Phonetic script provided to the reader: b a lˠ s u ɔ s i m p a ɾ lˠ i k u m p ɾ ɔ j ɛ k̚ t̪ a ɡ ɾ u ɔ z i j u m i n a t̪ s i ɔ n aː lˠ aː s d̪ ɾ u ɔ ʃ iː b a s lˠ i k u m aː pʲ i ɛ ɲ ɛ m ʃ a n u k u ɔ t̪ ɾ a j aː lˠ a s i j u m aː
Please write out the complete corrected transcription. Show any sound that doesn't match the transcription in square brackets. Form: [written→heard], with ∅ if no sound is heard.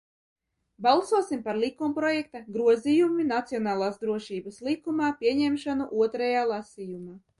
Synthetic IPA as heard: b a lˠ s u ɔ s i m p a ɾ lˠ i k u m p ɾ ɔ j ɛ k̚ t̪ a ɡ ɾ u ɔ z i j u m i n a t̪ s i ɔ n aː lˠ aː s d̪ ɾ u ɔ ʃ iː b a s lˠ i k u m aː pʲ i ɛ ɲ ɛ m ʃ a n u [k→ʔ] u ɔ t̪ ɾ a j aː lˠ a s i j u m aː

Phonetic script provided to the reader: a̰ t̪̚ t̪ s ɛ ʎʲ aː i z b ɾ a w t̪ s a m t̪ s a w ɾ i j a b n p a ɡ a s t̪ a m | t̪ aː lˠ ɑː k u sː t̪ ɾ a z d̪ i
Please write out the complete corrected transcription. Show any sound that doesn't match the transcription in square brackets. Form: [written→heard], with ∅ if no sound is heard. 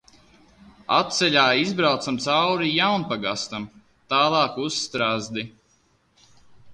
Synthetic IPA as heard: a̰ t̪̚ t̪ s ɛ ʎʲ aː i z b ɾ a w t̪ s a m t̪ s a w ɾ i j a [b→w] n p a ɡ a s t̪ a m | t̪ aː lˠ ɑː k u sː t̪ ɾ a z d̪ i

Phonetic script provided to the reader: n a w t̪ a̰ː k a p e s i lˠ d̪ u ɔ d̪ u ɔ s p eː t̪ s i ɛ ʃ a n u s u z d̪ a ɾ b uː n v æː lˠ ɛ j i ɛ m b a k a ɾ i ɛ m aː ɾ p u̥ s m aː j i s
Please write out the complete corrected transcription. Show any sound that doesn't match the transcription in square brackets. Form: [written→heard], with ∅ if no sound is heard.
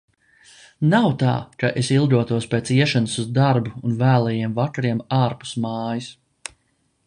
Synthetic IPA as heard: n a w t̪ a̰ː k a [p→ʔ] e s i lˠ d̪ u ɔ [d̪→t̪] u ɔ s p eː t̪ s i ɛ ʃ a n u s u z d̪ a ɾ b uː n v æː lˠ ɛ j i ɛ m [b→v] a k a ɾ i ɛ m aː ɾ p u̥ s m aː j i s

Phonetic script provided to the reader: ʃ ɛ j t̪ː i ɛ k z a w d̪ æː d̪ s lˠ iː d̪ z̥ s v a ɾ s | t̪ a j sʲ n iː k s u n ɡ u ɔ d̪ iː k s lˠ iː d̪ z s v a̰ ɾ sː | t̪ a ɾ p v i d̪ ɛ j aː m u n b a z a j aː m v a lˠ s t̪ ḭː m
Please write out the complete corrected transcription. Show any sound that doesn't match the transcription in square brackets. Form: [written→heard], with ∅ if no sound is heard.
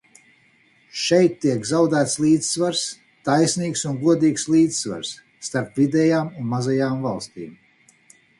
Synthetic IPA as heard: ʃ ɛ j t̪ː i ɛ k z a w d̪ æː [d̪→t̪] s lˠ iː d̪ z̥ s v a ɾ s | t̪ a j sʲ n iː k s u n ɡ u ɔ d̪ iː k s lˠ iː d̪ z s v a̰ ɾ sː | t̪ a ɾ p v i d̪ ɛ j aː m u n [b→m] a z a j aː m v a lˠ s t̪ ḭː m

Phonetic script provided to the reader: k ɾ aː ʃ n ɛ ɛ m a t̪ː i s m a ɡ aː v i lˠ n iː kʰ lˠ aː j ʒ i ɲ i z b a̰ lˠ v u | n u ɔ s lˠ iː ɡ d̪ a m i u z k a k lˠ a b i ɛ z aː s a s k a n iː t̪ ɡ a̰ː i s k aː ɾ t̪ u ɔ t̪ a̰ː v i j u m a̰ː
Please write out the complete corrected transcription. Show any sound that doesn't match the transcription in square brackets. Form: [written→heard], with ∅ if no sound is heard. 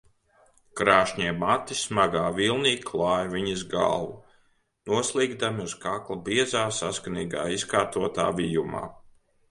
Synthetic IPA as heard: k ɾ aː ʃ [n→ɲ] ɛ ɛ m a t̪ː i s m a ɡ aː v i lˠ n iː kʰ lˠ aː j [ʒ→v] i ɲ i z [b→ɡ] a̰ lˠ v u | n u ɔ s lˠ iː ɡ d̪ a m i u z k a k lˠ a b i ɛ z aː s a s k a n iː [t̪→∅] ɡ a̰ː i s k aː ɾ t̪ u ɔ t̪ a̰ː v i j u m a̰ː

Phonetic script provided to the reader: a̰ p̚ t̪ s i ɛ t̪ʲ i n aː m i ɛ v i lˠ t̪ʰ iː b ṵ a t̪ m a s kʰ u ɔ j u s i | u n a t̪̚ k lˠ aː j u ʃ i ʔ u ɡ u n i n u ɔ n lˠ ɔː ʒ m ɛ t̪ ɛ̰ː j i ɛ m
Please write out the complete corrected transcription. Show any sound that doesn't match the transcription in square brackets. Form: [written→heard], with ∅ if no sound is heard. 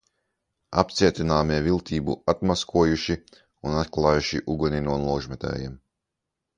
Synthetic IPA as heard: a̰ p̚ t̪ s i ɛ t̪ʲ i n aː m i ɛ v i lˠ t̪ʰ iː b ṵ a t̪ m a s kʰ u ɔ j u [s→ʃ] i | u n a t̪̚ k lˠ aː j u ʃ i ʔ u ɡ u n i n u ɔ n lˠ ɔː ʒ m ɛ t̪ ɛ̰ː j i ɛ m

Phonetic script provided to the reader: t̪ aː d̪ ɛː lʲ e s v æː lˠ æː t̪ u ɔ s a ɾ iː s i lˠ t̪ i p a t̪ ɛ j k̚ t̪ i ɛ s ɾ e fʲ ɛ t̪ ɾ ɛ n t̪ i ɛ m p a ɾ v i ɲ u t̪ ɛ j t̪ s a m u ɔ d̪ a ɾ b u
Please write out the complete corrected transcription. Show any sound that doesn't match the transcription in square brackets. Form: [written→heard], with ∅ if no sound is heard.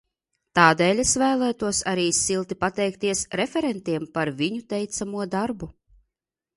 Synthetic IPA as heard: t̪ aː d̪ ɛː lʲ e s v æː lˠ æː t̪ u ɔ s a ɾ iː s i lˠ t̪ i p a t̪ ɛ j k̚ t̪ i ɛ s ɾ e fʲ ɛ [t̪→∅] ɾ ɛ n t̪ i ɛ m p a ɾ v i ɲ u t̪ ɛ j t̪ s a m u ɔ d̪ a ɾ b u

